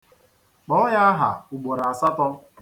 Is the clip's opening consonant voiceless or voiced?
voiceless